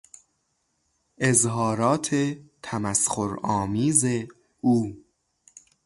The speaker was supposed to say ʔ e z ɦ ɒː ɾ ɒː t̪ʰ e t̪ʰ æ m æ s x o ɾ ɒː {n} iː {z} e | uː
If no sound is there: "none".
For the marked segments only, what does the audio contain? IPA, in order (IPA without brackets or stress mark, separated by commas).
m, z